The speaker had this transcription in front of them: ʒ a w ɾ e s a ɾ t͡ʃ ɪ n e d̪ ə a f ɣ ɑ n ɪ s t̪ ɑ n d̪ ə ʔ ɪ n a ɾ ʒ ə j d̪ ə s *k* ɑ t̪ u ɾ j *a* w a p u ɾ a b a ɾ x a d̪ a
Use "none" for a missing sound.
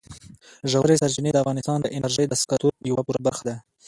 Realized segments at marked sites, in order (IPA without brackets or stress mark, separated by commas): k, a